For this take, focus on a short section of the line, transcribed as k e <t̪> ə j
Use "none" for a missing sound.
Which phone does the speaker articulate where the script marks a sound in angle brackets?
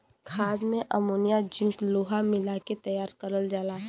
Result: t̪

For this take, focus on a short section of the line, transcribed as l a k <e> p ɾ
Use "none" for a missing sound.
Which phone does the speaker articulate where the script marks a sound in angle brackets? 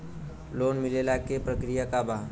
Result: e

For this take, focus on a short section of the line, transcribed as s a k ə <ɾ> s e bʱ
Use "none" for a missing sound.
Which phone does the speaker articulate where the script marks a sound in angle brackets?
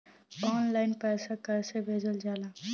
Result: ɾ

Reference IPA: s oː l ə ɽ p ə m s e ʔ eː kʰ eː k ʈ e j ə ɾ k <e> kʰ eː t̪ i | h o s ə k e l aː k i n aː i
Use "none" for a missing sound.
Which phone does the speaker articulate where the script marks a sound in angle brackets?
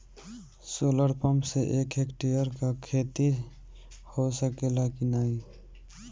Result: a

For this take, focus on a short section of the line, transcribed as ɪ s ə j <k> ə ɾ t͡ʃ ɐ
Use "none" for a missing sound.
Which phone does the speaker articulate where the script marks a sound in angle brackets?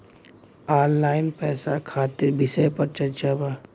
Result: p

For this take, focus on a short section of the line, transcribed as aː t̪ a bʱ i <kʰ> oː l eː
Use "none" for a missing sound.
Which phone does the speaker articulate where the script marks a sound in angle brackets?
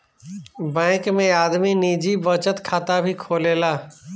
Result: kʰ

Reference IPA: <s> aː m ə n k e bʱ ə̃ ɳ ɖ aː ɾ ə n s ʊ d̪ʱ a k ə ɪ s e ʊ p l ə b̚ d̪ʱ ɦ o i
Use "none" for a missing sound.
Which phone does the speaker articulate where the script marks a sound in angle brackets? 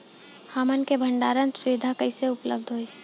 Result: h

